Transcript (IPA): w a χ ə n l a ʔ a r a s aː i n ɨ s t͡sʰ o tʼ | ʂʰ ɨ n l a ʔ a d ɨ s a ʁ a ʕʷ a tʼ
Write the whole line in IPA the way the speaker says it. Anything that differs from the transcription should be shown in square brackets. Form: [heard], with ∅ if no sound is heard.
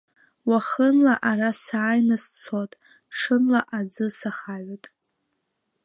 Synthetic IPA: w a χ ə n l a ʔ a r a s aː [j] n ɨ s t͡sʰ o tʼ | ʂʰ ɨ n l a ʔ a [d͡z] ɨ s a [χ] a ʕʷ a tʼ